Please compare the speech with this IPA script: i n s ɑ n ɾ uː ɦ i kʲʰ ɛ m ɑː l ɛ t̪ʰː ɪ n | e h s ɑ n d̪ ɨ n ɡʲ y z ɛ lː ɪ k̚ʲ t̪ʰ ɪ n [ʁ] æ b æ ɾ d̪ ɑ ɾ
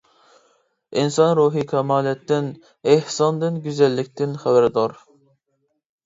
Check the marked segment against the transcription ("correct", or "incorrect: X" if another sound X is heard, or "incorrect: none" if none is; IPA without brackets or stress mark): incorrect: χ